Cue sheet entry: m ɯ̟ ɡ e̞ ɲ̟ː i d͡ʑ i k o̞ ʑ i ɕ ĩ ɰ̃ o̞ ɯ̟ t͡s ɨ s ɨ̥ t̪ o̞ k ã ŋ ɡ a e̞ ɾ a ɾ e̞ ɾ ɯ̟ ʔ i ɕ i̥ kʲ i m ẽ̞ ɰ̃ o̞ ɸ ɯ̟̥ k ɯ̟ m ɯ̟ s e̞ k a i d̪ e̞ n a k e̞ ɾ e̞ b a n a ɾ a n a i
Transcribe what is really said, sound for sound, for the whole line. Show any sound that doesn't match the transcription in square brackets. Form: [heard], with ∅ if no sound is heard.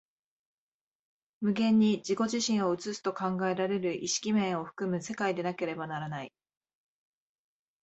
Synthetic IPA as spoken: m ɯ̟ ɡ [ẽ̞] ɲ̟ː i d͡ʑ i k o̞ ʑ i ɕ ĩ ɰ̃ o̞ ɯ̟ t͡s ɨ s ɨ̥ t̪ o̞ k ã ŋ ɡ a e̞ ɾ a ɾ e̞ ɾ ɯ̟ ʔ i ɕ i̥ kʲ i m ẽ̞ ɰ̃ o̞ ɸ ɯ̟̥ k ɯ̟ m ɯ̟ s e̞ k a i d̪ e̞ n a k e̞ ɾ e̞ b a n a ɾ a n a i